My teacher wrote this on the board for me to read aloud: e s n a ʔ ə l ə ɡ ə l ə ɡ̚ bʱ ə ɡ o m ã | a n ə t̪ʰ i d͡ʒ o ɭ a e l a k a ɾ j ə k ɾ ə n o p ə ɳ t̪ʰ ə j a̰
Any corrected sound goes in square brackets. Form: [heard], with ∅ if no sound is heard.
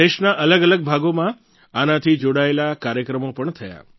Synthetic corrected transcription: e [ʃ] n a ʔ ə l ə ɡ ə l ə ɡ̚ bʱ [a] ɡ o m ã | a n [a] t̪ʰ i d͡ʒ o [ɽ] a e l a k a ɾ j ə k ɾ ə [m] o p ə ɳ t̪ʰ ə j a̰